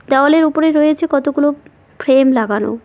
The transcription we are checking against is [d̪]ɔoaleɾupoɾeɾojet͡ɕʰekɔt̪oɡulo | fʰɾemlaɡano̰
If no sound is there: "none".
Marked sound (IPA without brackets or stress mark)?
d̪